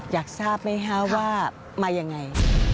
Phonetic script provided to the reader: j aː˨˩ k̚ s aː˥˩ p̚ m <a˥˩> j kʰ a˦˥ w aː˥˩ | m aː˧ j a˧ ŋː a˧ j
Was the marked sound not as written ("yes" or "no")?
yes